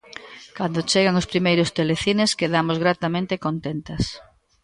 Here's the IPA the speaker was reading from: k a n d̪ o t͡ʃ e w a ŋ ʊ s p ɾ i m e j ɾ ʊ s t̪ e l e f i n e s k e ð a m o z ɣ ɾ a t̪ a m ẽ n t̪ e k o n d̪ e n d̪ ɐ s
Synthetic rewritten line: k a n d̪ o t͡ʃ e ɣ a ŋ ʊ s p ɾ i m e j ɾ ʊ s t̪ e l e θ i n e s k e ð a m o z ɣ ɾ a t̪ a m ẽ n t̪ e k o n t̪ e n t̪ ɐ s